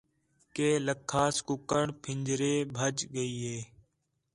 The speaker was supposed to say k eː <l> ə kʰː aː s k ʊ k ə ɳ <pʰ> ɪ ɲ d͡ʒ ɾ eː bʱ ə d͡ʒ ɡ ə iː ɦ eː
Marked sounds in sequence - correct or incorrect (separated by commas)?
correct, correct